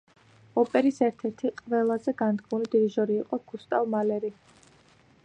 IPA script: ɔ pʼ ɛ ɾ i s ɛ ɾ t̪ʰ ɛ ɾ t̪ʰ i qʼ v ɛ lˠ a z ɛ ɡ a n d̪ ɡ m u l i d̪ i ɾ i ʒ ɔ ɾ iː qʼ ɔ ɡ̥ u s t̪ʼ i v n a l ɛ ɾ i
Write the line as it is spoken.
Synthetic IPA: ɔ pʼ ɛ ɾ i s ɛ ɾ t̪ʰ ɛ ɾ t̪ʰ i qʼ v ɛ lˠ a z ɛ ɡ a n d̪ ɡ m u l i d̪ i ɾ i ʒ ɔ ɾ iː qʼ ɔ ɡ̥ u s t̪ʼ a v m a l ɛ ɾ i